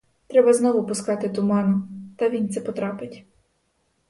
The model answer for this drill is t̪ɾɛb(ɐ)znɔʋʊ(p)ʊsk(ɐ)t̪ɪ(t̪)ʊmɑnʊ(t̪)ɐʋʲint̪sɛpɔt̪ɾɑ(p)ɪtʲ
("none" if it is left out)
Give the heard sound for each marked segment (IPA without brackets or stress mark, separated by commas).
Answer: ɐ, p, ɑ, t̪, t̪, p